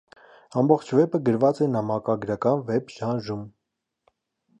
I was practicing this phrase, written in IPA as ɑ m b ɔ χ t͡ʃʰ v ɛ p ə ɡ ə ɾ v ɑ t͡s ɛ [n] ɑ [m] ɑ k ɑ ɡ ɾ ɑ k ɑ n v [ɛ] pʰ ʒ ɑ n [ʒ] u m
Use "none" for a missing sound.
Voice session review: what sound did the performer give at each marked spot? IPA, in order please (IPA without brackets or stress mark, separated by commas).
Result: n, m, ɛ, ʒ